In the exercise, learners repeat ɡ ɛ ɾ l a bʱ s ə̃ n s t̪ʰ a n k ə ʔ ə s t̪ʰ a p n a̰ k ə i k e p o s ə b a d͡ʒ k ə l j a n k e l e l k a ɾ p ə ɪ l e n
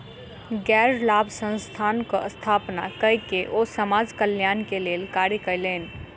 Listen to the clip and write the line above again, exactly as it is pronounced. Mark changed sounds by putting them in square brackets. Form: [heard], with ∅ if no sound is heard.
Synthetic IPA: ɡ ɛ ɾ l a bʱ s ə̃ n s t̪ʰ a n k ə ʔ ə s t̪ʰ a p n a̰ k ə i k e [ʔ] o s ə [m] a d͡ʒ k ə l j a n k e l e l k a ɾ [k] ə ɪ l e n